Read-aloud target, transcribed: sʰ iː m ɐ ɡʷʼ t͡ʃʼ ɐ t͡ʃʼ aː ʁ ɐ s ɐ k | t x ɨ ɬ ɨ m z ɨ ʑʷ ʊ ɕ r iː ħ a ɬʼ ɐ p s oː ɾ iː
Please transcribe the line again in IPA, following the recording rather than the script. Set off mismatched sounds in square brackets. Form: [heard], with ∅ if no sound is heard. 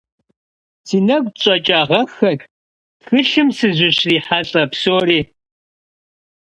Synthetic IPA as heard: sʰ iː [n] ɐ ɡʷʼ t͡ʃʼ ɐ t͡ʃʼ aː ʁ ɐ [x] ɐ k | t x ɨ ɬ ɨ m [s] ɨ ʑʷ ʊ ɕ r iː ħ a ɬʼ ɐ p s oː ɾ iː